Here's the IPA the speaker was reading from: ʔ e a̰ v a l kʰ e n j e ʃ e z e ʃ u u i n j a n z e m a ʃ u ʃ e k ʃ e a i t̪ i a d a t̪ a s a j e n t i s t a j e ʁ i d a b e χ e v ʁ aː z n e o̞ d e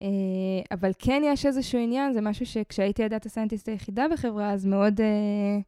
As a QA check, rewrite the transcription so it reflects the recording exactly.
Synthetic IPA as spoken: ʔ e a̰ v a l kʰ e n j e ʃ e z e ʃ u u i n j a n z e m a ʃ u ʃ e k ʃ e a i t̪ i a d a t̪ a s a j e n t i s t a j e χ i d a b e χ e v ʁ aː z m e o̞ d e